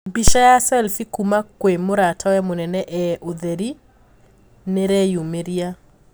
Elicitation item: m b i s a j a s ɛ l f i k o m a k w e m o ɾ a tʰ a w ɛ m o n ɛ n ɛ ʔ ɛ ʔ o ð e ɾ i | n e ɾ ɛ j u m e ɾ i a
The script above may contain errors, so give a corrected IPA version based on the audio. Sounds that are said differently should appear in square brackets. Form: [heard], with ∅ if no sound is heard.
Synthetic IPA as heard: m b i [ʃ] a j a s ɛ l f i k [u] m a k w e m o ɾ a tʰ a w ɛ m o n ɛ n ɛ ʔ ɛ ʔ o ð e ɾ i | n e ɾ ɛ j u m e ɾ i a